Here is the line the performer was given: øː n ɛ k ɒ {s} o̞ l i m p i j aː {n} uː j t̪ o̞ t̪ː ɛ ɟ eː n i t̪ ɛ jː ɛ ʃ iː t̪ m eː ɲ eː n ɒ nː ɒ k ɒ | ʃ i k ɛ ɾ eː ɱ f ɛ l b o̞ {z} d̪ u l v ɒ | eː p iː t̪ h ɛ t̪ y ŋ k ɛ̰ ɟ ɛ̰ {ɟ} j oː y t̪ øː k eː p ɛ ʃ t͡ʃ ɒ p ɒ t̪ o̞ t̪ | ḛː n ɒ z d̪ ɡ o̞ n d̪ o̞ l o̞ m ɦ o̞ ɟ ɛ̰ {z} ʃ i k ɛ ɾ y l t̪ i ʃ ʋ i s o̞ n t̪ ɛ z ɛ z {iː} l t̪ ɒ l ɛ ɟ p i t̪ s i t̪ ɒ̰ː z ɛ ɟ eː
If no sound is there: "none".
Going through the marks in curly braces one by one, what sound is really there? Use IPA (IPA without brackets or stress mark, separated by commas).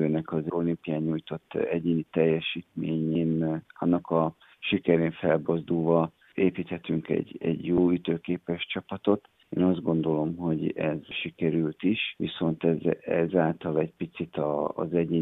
z, ɲ, z, ɟ, z, aː